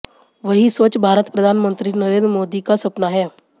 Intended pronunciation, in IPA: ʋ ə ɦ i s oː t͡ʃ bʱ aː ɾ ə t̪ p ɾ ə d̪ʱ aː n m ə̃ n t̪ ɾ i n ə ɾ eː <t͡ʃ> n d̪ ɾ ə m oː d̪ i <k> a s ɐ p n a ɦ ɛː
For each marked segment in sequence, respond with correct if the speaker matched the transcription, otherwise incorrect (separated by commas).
incorrect, correct